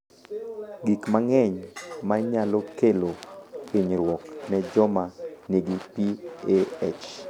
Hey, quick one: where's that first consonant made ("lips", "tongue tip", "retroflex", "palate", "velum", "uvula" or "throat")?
velum